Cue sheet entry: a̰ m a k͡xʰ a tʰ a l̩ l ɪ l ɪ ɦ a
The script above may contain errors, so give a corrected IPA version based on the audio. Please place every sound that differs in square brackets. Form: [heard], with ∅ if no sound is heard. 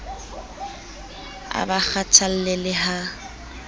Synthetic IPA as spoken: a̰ [b] a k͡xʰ a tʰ a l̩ l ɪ l ɪ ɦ a